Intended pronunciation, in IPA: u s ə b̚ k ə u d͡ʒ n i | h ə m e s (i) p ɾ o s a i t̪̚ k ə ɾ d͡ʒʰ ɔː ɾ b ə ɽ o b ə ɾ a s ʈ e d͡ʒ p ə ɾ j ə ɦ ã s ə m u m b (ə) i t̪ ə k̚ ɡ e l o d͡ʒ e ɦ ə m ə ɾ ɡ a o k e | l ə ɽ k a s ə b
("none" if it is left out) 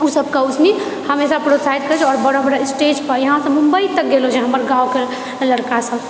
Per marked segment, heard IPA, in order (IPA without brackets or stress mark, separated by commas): a, ə